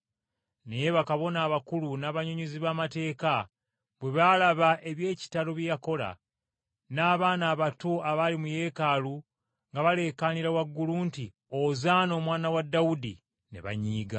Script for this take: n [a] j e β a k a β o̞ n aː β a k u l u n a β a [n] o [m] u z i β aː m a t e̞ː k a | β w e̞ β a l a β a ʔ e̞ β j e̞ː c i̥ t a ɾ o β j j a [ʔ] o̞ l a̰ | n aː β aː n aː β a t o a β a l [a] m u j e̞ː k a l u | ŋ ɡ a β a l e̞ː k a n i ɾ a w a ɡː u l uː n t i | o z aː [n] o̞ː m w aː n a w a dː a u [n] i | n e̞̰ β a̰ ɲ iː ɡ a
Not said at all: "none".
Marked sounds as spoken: e, ɲ, ɲ, k, i, n, d

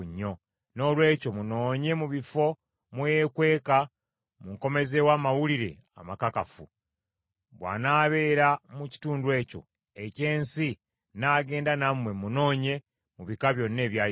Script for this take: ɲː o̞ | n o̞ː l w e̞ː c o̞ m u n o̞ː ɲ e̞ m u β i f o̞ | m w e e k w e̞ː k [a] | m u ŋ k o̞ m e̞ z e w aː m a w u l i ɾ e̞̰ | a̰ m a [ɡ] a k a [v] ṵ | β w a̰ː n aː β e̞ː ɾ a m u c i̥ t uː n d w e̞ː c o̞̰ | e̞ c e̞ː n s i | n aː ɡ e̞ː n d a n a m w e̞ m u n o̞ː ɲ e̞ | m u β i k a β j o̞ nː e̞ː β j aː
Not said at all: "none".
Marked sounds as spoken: a, k, f

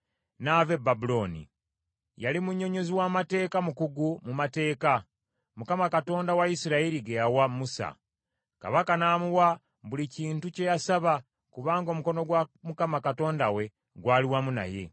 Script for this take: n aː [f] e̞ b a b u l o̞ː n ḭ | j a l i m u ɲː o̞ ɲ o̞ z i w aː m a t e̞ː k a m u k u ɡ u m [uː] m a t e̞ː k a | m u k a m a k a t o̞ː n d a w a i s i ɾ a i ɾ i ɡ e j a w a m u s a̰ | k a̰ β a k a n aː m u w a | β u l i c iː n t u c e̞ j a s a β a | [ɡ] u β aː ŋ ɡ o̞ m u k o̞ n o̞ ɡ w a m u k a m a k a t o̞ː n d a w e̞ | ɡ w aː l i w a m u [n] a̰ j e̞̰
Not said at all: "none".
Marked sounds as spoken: v, u, k, n

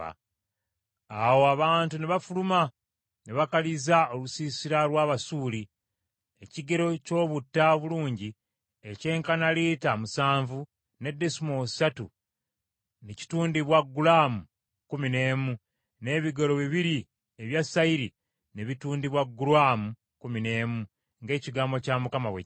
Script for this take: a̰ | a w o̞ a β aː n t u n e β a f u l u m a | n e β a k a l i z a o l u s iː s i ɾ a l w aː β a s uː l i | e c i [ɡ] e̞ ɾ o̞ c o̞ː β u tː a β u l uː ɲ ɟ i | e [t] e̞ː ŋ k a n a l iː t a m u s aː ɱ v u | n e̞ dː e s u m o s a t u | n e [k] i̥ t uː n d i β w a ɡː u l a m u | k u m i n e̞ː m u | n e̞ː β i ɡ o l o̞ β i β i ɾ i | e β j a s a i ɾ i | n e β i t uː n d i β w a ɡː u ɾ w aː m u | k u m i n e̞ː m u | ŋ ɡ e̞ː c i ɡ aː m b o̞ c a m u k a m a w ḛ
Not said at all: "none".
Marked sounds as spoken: ɡ, c, c

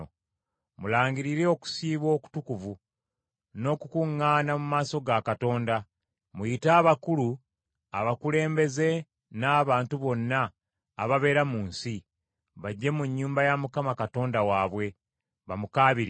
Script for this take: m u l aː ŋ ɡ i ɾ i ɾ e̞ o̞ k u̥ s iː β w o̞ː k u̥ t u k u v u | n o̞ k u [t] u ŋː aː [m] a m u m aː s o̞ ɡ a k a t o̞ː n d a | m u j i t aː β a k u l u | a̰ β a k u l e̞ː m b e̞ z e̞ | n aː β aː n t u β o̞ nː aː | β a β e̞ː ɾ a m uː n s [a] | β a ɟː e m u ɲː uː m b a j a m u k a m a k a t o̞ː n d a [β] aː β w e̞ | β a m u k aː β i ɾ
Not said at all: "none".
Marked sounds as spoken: k, n, i, w

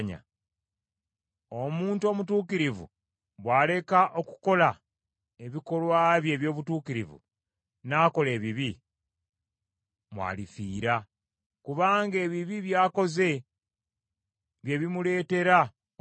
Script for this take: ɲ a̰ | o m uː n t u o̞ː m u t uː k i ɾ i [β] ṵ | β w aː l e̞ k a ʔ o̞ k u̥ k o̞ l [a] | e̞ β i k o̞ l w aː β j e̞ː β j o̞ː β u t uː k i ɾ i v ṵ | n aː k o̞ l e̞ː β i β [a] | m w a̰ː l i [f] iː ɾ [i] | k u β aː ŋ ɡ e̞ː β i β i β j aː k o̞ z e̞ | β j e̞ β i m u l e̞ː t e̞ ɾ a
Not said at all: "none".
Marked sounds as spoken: v, a, i, f, a

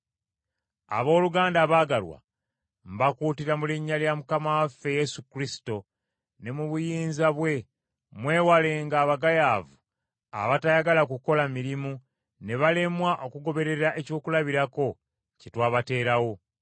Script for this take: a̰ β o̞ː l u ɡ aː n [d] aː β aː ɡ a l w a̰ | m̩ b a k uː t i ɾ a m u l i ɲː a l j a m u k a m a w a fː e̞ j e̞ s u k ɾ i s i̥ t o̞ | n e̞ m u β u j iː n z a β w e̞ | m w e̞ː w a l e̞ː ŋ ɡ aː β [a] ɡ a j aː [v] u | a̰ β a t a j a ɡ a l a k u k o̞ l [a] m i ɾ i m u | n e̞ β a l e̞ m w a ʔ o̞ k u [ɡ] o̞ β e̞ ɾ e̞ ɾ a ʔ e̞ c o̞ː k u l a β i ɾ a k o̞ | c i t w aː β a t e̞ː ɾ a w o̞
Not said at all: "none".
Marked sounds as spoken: d, a, v, a, ɡ

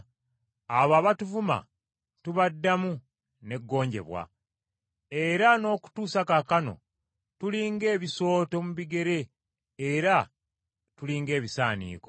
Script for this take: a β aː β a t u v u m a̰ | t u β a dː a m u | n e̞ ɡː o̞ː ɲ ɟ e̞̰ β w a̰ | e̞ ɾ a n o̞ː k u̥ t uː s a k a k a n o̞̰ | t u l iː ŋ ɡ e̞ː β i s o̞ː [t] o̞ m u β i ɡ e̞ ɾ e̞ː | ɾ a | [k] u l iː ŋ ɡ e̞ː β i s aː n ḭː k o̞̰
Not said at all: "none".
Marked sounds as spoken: t, t

